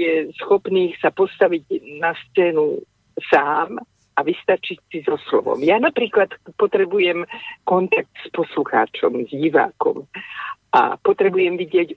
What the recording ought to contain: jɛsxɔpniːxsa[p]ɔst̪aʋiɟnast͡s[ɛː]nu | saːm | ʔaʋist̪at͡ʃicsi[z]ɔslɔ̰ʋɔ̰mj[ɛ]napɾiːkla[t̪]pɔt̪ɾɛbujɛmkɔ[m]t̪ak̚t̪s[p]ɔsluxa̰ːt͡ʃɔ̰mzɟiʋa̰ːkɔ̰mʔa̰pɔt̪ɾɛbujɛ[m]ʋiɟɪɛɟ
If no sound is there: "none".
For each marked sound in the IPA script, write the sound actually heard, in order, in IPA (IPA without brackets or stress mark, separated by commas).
p, ɛː, z, a, t̪, n, p, m